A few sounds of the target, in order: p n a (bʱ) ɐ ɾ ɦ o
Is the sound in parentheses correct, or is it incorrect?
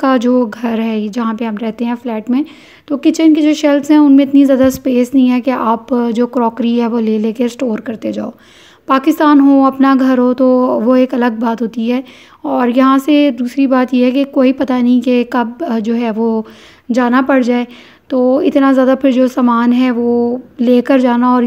incorrect: ɡʱ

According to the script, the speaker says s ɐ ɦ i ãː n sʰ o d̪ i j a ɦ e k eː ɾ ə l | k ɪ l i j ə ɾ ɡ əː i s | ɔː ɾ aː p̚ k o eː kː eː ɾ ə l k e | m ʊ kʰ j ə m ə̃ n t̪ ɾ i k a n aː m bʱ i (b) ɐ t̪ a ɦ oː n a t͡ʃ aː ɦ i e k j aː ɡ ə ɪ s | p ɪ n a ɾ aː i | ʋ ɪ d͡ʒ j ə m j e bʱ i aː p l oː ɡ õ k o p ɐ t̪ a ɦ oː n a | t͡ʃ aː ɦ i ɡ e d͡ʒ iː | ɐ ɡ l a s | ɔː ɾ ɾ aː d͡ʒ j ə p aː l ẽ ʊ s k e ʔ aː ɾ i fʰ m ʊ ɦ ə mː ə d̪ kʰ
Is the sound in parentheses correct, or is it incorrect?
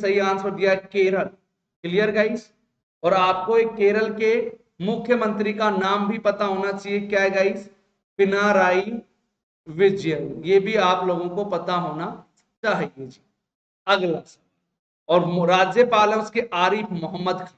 incorrect: p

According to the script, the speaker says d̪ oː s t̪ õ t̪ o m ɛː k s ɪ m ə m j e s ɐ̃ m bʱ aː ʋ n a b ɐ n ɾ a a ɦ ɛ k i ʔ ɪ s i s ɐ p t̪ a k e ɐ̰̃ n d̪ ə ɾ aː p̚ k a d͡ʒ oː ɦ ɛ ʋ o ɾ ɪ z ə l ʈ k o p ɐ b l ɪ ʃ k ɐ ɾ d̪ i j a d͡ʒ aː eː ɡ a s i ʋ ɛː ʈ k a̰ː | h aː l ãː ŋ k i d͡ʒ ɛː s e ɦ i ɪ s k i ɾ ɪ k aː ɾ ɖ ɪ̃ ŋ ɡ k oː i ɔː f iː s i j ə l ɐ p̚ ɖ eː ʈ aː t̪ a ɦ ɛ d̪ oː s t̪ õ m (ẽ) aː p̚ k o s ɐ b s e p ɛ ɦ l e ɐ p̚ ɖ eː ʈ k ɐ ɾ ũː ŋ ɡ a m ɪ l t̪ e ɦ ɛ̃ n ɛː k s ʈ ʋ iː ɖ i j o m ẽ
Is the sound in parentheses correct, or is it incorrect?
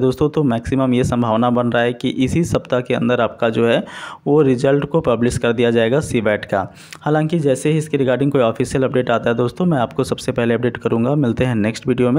incorrect: ɛ̃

